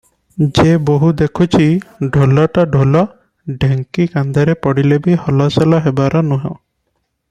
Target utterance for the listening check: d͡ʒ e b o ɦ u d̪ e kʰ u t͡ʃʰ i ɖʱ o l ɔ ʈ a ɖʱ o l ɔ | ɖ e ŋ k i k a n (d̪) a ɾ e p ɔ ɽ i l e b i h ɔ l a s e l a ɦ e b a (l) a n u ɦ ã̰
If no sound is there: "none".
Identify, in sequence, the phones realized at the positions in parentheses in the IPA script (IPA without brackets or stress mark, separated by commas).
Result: d̪, ɾ